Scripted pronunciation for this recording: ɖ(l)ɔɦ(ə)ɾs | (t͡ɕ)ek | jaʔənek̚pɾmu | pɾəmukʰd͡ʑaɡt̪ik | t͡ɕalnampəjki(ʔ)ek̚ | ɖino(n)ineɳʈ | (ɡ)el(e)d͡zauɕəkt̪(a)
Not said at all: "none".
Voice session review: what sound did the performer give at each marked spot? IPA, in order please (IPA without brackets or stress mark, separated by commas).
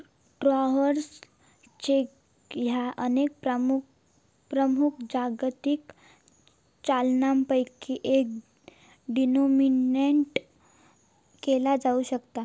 ɾ, ə, t͡ɕ, ʔ, m, k, a, a